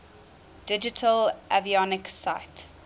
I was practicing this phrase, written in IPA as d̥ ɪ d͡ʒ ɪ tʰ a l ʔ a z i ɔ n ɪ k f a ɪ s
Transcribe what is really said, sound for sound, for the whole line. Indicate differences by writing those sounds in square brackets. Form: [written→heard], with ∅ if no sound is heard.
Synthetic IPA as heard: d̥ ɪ d͡ʒ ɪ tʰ [a→ə] l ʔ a [z→v] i ɔ n ɪ k [f→s] a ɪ [s→t]